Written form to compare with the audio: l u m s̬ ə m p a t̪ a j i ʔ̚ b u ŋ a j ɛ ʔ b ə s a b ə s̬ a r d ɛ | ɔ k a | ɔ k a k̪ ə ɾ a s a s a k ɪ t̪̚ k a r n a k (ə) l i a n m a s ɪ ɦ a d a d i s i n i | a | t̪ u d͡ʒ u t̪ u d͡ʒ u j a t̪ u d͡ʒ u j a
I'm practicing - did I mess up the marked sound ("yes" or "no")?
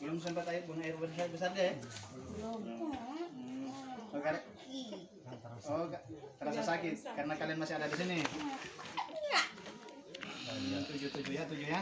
yes